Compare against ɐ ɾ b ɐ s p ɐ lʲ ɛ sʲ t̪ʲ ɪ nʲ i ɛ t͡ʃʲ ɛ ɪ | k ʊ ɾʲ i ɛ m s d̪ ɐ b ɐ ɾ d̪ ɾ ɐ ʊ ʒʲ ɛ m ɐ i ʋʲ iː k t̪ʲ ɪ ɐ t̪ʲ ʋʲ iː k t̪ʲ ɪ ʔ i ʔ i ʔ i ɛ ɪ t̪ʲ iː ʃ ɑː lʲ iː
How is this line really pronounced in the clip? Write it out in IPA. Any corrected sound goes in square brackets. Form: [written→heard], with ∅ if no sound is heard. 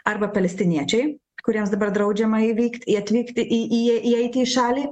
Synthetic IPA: ɐ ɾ b ɐ [s→∅] p ɐ lʲ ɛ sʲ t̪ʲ ɪ nʲ i ɛ t͡ʃʲ ɛ ɪ | k ʊ ɾʲ i ɛ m s d̪ ɐ b ɐ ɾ d̪ ɾ ɐ ʊ [ʒʲ→d͡ʒʲ] ɛ m ɐ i ʋʲ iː k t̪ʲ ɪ ɐ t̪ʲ ʋʲ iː k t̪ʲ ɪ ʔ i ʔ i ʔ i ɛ ɪ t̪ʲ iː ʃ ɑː lʲ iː